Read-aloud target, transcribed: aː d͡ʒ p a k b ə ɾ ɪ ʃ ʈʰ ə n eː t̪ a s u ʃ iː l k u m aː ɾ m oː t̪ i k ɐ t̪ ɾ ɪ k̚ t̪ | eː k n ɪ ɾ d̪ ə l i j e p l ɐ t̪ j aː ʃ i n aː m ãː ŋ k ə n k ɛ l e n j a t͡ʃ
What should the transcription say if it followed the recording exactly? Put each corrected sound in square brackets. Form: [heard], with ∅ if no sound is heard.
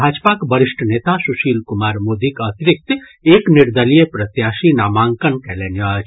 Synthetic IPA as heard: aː d͡ʒ p a k b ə ɾ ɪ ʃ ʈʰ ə n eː t̪ a s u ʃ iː l k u m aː ɾ m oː [d̪] i k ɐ t̪ ɾ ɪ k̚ t̪ | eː k n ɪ ɾ d̪ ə l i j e p [ɾ] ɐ t̪ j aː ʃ i n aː m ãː ŋ k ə n k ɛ l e n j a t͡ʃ